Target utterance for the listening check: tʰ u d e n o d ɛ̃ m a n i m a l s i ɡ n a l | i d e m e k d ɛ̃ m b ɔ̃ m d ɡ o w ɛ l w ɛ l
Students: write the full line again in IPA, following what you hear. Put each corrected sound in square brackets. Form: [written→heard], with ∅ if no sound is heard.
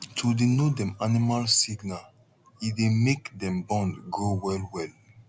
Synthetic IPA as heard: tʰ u d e n o d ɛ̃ m a n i m a l s i ɡ n a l | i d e m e k d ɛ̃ m b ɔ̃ [m→n] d ɡ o w ɛ l w ɛ l